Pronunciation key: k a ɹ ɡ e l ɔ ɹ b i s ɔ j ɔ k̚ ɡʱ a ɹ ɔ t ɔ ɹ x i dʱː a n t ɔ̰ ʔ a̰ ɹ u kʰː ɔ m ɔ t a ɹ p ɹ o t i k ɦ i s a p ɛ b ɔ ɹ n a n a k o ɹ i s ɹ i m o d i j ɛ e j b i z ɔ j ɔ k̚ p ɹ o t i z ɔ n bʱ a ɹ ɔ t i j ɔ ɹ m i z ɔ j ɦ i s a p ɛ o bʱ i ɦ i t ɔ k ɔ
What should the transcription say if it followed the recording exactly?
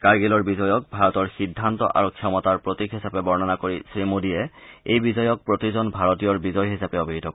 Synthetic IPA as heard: k a ɹ ɡ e l ɔ ɹ b i z ɔ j ɔ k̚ bʱ a ɹ ɔ t ɔ ɹ x i dʱː a n t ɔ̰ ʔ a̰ ɹ u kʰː ɔ m ɔ t a ɹ p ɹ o t i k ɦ i s a p ɛ b ɔ ɹ n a n a k o ɹ i s ɹ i m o d i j ɛ e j b i z ɔ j ɔ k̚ p ɹ o t i z ɔ n bʱ a ɹ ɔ t i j ɔ ɹ b i z ɔ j ɦ i s a p ɛ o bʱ i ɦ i t ɔ k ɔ